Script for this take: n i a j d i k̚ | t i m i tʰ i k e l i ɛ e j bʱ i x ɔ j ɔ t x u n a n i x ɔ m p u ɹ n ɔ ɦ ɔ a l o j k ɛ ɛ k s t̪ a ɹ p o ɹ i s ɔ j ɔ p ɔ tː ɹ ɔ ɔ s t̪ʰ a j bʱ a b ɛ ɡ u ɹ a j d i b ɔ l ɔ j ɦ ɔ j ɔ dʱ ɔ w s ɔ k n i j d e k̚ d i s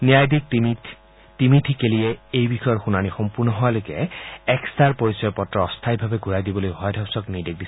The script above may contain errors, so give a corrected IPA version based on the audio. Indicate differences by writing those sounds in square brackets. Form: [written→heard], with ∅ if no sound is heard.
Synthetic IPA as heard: n i a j d i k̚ | t i m i tʰ i k e l i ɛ e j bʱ i x ɔ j ɔ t x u n a n i x ɔ m p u ɹ n ɔ ɦ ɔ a l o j k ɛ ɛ k s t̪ a ɹ p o ɹ i s ɔ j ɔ p ɔ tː ɹ ɔ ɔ s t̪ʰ a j bʱ a b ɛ ɡ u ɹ a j d i b ɔ l [ɔ→o] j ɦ ɔ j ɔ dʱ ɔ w s ɔ k n i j d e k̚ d i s